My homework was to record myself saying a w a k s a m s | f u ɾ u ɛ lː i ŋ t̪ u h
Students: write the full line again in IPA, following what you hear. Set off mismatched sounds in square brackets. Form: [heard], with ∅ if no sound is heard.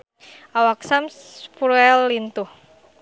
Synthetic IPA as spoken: a w a k s a m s | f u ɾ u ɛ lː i [n] t̪ u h

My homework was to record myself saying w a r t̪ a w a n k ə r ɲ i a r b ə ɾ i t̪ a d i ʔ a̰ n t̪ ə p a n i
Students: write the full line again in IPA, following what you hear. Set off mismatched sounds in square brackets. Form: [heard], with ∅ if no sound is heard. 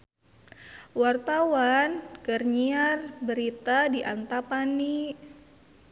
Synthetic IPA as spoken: w a r t̪ a w a n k ə r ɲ i a r b ə ɾ i t̪ a d i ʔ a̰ n t̪ [a] p a n i

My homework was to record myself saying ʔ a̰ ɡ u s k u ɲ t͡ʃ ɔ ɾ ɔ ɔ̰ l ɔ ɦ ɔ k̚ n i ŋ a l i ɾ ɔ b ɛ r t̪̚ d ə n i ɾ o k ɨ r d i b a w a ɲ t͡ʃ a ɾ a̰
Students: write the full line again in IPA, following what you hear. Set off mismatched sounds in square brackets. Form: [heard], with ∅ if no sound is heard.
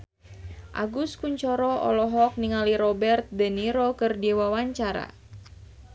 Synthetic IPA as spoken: ʔ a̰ ɡ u s k u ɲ t͡ʃ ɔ ɾ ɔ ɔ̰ l ɔ ɦ ɔ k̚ n i ŋ a l i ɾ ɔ b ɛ r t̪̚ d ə n i ɾ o k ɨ r d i [w] a w a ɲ t͡ʃ a ɾ a̰

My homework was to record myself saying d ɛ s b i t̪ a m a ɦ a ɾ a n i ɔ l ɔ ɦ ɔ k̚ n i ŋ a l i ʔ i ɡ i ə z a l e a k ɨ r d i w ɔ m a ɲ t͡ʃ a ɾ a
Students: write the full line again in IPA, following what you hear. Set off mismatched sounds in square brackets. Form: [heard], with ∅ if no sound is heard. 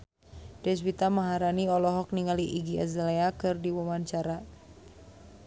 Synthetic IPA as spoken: d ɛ s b i t̪ a m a ɦ a ɾ a n i ɔ l ɔ ɦ ɔ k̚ n i ŋ a l i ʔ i ɡ i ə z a l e a k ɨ r d i w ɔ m a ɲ t͡ʃ a ɾ a

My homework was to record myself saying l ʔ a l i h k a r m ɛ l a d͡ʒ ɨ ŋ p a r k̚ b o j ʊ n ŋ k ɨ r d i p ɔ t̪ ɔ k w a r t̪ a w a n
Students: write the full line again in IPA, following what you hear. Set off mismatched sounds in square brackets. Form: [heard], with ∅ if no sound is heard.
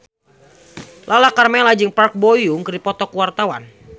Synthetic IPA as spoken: l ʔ a l [a] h k a r m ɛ l a d͡ʒ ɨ ŋ p a r k̚ b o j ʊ [∅] ŋ k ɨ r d i p ɔ t̪ ɔ k w a r t̪ a w a n

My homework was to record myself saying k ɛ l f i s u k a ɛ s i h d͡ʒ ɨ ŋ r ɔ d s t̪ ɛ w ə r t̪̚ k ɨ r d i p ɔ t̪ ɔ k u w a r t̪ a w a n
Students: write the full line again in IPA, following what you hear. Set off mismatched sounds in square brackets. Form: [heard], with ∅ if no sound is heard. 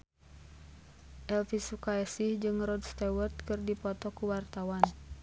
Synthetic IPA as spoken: [ʔ] ɛ l f i s u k a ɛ s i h d͡ʒ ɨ ŋ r ɔ d s t̪ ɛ w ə r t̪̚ k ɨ r d i p ɔ t̪ ɔ k u w a r t̪ a w a n

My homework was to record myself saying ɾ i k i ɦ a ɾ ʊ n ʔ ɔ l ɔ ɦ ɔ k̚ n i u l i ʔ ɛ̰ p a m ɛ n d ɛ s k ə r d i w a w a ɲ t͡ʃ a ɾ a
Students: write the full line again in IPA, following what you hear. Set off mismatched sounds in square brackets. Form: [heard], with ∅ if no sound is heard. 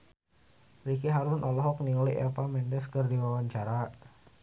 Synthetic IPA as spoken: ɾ i k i ɦ a ɾ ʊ n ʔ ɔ l ɔ ɦ ɔ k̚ n i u l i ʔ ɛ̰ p a m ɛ n d ɛ s k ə r d i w a w a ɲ t͡ʃ a ɾ a

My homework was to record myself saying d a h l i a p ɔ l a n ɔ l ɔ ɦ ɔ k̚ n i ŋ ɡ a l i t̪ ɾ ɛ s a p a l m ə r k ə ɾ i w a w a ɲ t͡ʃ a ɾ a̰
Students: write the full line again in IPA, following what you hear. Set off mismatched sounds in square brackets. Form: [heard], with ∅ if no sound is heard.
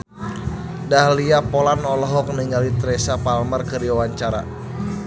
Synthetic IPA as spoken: d a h l i a p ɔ l a n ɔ l ɔ ɦ ɔ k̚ n i ŋ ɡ a l i t̪ ɾ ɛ s a p a l m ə r k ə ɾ i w a w a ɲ t͡ʃ a ɾ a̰

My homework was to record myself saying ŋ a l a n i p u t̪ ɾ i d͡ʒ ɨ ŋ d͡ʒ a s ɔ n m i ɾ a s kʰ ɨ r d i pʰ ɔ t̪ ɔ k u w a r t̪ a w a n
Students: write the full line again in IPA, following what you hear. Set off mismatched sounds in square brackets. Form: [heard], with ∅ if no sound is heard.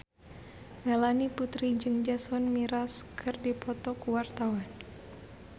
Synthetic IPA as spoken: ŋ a l a n i p u t̪ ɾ i d͡ʒ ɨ ŋ d͡ʒ a s ɔ n m i ɾ a s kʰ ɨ r d i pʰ ɔ t̪ ɔ k u w a r t̪ a w a n

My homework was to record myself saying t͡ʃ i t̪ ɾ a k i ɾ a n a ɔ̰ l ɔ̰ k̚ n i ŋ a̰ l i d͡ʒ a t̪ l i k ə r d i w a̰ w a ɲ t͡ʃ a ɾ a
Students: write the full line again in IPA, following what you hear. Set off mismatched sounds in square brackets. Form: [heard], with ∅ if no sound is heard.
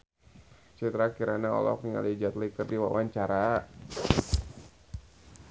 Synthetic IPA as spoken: t͡ʃ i t̪ ɾ a k i ɾ a n a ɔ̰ l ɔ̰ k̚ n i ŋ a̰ l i d͡ʒ a t̪ l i k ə r d i w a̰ w a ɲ t͡ʃ a ɾ a

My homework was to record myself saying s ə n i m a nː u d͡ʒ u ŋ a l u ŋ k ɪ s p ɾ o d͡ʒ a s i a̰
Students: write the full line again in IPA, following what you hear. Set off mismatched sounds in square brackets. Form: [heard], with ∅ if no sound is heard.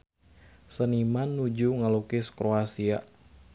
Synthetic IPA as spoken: s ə n i m a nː u d͡ʒ u ŋ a l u [∅] k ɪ s [k] ɾ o [∅] a s i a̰

